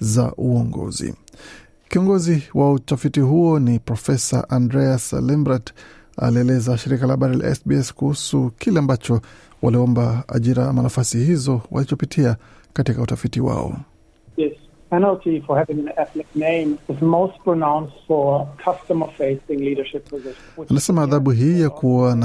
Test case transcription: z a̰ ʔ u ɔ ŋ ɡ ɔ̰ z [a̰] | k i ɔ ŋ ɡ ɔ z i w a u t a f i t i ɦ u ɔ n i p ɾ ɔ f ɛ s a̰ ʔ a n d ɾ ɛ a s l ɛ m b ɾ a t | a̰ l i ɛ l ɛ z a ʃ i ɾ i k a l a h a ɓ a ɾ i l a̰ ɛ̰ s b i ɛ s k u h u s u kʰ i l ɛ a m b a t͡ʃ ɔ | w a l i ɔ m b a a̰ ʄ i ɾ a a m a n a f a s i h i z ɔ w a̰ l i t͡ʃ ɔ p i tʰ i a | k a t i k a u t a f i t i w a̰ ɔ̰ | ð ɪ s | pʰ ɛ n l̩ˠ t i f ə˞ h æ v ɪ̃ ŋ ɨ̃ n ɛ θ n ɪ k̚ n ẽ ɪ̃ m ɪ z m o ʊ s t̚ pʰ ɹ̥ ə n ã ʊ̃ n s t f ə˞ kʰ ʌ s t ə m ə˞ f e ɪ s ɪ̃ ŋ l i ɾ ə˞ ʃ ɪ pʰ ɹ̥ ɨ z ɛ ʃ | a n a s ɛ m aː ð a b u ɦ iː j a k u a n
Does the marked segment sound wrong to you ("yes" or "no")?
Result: yes